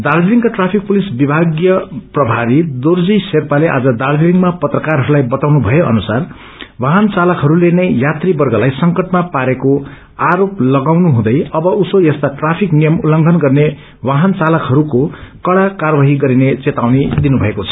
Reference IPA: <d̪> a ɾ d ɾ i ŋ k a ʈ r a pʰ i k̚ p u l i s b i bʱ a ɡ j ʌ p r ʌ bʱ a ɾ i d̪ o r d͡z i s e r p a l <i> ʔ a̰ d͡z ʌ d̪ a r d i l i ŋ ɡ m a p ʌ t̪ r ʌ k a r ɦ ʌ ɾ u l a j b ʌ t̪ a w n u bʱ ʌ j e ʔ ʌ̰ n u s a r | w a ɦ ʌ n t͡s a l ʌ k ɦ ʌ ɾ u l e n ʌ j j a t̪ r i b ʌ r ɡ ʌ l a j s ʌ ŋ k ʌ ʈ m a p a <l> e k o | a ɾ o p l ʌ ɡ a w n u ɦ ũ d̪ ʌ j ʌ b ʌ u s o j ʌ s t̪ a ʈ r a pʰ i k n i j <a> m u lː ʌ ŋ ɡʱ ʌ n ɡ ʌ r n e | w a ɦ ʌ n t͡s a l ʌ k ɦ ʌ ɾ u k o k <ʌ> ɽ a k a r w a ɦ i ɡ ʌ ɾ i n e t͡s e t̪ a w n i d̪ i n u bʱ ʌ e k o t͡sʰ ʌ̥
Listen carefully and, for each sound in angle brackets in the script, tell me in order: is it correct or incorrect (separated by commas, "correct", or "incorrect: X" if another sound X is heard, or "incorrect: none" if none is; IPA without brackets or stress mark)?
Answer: correct, incorrect: e, incorrect: ɾ, incorrect: ʌ, correct